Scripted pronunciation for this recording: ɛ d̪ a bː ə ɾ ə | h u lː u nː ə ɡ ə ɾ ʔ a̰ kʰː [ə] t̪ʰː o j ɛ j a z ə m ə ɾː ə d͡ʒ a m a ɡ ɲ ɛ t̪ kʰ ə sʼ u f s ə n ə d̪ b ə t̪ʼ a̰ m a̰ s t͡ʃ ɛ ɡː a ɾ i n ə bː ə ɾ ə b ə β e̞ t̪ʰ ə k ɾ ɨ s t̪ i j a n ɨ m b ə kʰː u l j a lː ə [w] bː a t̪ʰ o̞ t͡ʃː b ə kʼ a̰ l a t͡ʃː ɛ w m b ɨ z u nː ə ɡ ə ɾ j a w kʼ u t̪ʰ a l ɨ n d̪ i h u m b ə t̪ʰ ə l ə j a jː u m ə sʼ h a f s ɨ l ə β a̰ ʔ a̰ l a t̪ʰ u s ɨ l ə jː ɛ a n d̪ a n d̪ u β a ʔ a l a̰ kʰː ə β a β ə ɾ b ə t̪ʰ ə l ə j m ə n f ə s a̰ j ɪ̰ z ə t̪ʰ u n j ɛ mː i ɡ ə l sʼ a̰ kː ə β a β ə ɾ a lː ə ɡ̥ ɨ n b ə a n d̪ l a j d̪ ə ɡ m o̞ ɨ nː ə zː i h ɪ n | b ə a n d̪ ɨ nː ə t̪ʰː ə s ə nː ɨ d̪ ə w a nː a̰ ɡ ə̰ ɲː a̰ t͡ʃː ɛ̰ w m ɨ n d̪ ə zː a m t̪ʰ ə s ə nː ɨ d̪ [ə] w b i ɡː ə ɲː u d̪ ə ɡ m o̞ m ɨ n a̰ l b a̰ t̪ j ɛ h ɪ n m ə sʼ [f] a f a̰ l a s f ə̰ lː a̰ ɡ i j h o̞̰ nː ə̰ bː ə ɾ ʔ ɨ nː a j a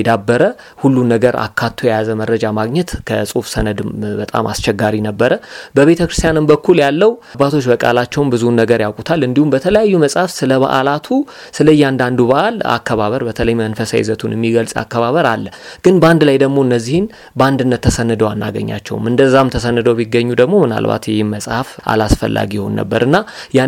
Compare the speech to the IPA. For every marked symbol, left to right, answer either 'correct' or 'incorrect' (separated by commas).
incorrect, correct, correct, incorrect